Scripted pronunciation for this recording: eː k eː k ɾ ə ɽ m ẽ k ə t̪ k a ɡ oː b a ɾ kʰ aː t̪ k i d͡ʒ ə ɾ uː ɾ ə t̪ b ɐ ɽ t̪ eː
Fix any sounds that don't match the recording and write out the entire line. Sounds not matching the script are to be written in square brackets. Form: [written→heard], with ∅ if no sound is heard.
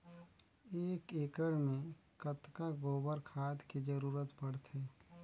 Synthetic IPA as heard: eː k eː k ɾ ə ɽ m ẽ k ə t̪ k a ɡ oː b [a→ə] ɾ kʰ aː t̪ k i d͡ʒ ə ɾ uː ɾ ə t̪ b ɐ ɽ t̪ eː